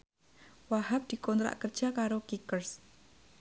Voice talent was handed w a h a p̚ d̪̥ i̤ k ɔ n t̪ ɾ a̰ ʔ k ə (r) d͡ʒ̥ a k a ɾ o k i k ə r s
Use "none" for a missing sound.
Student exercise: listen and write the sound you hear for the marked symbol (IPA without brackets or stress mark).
r